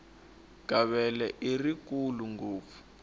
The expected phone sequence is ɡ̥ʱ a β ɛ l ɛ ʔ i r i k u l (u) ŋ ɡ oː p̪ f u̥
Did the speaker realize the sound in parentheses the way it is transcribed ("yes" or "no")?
yes